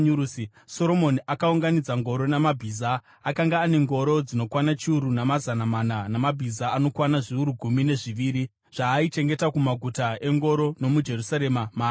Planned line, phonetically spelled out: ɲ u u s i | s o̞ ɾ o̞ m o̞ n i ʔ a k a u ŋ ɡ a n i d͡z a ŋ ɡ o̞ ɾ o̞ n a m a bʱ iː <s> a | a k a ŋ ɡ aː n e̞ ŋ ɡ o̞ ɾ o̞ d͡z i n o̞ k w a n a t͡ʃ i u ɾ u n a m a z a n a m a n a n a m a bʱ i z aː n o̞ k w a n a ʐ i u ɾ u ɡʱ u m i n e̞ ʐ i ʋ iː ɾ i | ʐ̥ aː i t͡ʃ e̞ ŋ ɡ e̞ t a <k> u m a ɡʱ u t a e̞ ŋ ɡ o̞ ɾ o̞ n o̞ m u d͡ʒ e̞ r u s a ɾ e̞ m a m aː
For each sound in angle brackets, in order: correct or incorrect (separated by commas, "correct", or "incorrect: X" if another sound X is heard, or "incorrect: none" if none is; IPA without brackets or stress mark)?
incorrect: z, correct